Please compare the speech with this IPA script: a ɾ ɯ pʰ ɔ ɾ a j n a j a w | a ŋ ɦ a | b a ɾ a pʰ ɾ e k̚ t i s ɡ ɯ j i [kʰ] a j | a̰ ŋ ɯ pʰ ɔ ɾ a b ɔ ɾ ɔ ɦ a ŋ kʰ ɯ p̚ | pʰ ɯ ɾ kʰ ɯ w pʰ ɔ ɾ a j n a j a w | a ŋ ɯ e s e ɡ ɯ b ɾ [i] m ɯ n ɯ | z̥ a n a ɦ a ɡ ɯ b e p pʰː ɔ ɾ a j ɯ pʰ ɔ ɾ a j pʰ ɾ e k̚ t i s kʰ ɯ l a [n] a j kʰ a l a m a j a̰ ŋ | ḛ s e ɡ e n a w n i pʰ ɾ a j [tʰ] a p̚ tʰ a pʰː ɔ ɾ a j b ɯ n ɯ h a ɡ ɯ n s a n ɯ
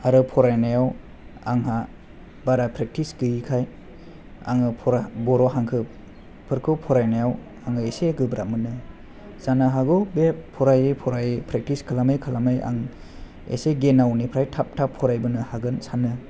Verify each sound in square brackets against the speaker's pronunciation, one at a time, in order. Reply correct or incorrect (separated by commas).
correct, incorrect, incorrect, correct